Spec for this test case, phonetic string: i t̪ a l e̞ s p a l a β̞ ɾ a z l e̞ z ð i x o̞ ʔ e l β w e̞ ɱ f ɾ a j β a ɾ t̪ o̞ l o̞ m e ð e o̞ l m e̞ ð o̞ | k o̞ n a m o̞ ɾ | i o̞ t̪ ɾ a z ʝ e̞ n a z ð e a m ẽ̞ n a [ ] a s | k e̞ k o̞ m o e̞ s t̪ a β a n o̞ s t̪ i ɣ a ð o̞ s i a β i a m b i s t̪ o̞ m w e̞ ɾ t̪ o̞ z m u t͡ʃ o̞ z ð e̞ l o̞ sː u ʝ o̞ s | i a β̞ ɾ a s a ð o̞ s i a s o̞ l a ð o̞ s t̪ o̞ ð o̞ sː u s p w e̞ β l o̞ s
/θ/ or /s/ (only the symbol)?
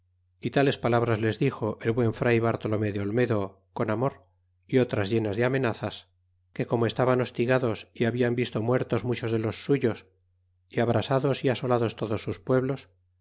θ